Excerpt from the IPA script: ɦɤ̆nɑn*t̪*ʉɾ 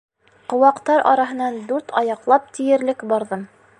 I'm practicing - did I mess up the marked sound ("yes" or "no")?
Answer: yes